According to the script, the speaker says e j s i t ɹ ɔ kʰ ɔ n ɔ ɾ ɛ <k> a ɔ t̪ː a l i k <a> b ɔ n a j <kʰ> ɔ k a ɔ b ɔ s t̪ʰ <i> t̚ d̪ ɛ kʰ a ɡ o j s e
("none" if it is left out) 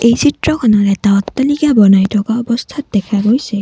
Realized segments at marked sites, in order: t, a, tʰ, a

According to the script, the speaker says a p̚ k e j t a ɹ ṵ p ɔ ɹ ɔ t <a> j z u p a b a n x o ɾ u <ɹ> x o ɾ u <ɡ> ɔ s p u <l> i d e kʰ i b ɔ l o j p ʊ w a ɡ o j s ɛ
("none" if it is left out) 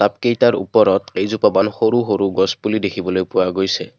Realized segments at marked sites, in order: e, none, ɡ, l

